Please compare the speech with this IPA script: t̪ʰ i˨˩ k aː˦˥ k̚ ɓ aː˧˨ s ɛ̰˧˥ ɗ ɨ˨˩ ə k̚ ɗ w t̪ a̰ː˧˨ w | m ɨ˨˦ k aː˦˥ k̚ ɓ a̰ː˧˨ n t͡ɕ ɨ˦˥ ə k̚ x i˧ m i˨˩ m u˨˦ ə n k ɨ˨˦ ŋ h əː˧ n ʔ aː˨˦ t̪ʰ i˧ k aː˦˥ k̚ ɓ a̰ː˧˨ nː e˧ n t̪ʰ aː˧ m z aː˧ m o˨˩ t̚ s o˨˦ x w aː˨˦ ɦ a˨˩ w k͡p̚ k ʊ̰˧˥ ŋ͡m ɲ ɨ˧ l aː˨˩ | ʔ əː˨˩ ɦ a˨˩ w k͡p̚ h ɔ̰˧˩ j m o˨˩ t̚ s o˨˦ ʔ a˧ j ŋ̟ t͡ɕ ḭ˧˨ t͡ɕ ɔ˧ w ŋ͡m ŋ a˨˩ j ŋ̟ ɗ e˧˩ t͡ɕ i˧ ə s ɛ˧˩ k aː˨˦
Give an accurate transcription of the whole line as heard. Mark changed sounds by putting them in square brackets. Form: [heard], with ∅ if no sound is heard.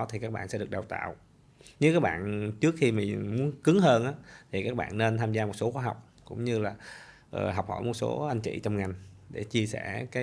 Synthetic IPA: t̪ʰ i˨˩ k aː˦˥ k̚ ɓ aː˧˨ s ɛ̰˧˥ ɗ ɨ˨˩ ə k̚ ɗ w t̪ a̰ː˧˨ w | [ɲ] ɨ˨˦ k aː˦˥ k̚ ɓ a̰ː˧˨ n t͡ɕ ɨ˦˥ ə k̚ x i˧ m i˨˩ m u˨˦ ə n k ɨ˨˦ ŋ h əː˧ n ʔ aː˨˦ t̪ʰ [i˨˩] k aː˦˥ k̚ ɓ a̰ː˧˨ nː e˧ n t̪ʰ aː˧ m z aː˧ m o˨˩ t̚ s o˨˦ x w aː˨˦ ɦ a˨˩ w k͡p̚ k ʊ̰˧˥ ŋ͡m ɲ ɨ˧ l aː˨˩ | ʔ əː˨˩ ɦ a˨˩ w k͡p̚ h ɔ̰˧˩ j m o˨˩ t̚ s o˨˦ ʔ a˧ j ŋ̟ t͡ɕ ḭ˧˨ t͡ɕ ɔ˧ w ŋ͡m ŋ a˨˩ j ŋ̟ ɗ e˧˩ t͡ɕ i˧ ə s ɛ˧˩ k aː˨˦